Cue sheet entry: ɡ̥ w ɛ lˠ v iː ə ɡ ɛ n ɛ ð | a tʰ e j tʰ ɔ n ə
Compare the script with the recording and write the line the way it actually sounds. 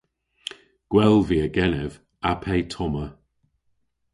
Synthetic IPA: ɡ̥ w ɛ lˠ v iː ə ɡ ɛ n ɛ v | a pʰ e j tʰ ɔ m ə